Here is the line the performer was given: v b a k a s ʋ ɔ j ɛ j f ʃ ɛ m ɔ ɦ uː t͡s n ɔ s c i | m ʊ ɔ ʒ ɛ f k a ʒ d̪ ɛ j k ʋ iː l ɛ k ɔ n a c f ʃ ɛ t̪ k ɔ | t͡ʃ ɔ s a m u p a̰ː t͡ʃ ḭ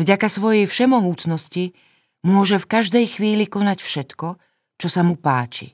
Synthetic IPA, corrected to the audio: v ɟ a k a s ʋ ɔ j ɛ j f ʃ ɛ m ɔ ɦ uː t͡s n ɔ s c i | m ʊ ɔ ʒ ɛ f k a ʒ d̪ ɛ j x ʋ iː l i k ɔ n a c f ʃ ɛ t̪ k ɔ | t͡ʃ ɔ s a m u p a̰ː t͡ʃ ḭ